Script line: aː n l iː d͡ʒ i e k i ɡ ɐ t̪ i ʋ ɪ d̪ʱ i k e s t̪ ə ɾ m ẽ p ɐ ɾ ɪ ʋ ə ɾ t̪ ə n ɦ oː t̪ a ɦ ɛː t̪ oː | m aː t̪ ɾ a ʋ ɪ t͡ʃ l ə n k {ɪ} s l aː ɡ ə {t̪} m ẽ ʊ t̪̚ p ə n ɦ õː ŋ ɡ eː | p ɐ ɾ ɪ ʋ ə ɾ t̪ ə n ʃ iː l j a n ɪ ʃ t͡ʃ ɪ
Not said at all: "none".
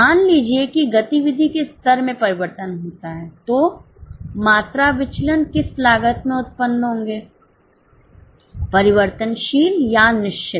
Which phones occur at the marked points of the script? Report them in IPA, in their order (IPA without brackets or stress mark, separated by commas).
ɪ, t̪